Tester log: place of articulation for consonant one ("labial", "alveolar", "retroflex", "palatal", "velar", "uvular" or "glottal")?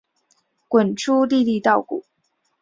velar